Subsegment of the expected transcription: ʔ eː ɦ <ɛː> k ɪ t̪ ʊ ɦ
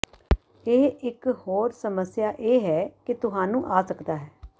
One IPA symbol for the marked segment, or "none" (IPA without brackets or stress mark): ɛː